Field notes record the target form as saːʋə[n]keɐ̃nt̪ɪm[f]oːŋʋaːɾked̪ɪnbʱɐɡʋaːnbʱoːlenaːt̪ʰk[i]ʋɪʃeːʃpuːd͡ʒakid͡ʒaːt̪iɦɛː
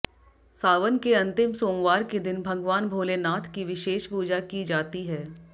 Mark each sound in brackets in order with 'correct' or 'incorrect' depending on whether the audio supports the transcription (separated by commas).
correct, incorrect, correct